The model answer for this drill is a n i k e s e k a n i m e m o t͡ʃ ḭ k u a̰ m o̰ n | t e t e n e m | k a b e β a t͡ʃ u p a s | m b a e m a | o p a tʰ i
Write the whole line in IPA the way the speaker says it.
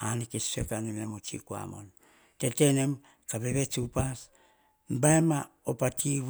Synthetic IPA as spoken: a n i k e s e k a n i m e m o t͡ʃ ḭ k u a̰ m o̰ n | t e t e n e m | k a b e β e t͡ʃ u p a s | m b a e m a | o p a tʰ i

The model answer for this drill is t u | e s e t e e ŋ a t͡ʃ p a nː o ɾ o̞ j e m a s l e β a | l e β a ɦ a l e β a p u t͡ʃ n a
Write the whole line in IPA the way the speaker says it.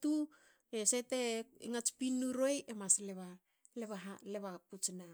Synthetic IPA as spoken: t u | e s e t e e ŋ a t͡ʃ p i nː u ɾ o̞ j e m a s l e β a | l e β a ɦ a l e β a p u t͡ʃ n a

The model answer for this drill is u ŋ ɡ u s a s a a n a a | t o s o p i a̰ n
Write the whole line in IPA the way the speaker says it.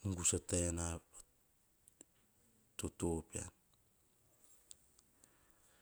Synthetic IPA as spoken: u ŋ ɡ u s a t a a n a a | t o t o p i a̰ n

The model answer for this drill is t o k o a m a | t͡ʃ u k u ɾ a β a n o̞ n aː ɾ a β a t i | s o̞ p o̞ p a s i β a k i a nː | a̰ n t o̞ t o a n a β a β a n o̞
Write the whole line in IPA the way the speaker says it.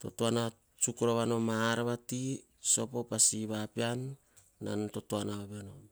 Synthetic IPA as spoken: t o t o a n a | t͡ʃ u k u ɾ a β a n o̞ m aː ɾ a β a t i | s o̞ p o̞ p a s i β a p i a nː | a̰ n t o̞ t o a n a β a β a n o̞

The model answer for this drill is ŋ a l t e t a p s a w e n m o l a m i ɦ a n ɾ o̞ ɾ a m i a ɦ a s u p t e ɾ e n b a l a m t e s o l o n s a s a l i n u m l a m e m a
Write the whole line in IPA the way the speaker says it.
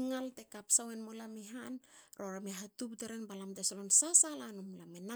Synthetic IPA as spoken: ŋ a l t e k a p s a w e n m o l a m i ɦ a n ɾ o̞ ɾ a m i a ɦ a t u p t e ɾ e n b a l a m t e s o l o n s a s a l a n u m l a m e n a

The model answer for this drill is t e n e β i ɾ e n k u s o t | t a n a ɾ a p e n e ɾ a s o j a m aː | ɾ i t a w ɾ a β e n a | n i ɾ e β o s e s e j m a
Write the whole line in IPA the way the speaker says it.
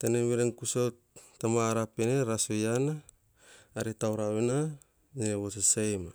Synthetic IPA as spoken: t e n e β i ɾ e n k u s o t | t a m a ɾ a p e n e ɾ a s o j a n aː | ɾ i t a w ɾ a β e n a | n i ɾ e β o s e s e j m a

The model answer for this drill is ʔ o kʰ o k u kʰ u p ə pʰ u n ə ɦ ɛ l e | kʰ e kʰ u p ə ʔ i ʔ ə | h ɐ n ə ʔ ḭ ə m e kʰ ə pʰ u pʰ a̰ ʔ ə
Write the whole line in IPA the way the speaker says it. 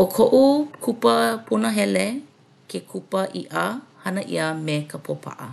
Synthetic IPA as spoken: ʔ o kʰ o ʔ u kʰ u p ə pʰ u n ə ɦ ɛ l e | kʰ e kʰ u p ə ʔ i ʔ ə | h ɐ n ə ʔ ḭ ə m e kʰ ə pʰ o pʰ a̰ ʔ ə

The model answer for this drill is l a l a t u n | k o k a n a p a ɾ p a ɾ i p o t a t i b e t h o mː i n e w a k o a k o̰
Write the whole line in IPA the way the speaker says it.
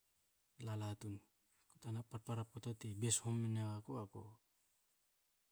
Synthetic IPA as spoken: l a l a t u n | k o t a n a p a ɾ p a ɾ a p o t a t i b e s h o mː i n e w a k o a k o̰

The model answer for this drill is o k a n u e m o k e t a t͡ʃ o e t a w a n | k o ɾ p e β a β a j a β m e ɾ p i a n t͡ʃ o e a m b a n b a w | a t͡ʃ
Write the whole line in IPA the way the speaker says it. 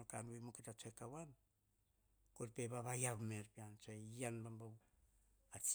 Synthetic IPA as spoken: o k a n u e m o k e t a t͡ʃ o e k a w a n | k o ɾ p e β a β a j a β m e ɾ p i a n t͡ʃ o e a n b a m b a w | a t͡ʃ

